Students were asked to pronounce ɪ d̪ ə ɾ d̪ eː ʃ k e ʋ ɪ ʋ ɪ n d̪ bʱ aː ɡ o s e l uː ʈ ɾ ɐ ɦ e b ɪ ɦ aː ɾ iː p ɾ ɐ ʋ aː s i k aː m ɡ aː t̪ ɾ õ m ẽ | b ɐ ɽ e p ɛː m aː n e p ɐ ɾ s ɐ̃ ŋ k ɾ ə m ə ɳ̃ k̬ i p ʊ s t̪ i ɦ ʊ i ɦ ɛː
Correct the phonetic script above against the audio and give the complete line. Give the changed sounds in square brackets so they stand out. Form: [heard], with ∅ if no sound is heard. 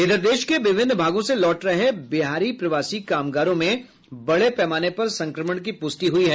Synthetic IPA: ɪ d̪ ə ɾ d̪ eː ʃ k e ʋ ɪ ʋ ɪ n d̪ bʱ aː ɡ [õ] s e l [ɔː] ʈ ɾ ɐ ɦ e b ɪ ɦ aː ɾ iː p ɾ ɐ ʋ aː s i k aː m ɡ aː [∅] ɾ õ m ẽ | b ɐ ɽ e p ɛː m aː n e p ɐ ɾ s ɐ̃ ŋ k ɾ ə m ə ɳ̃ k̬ i p ʊ s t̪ i ɦ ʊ i ɦ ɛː